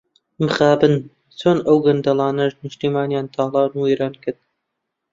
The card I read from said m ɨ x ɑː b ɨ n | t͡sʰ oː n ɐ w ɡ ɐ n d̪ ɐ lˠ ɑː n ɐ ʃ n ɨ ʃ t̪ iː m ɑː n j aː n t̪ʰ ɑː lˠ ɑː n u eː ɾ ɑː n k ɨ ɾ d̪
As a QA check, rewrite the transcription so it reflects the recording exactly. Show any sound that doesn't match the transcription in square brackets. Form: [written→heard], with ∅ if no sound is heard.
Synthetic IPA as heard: m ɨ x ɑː b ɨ n | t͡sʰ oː n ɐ w ɡ ɐ n d̪ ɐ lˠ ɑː n ɐ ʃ n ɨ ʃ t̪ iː m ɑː n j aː n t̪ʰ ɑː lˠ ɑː n u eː ɾ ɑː n k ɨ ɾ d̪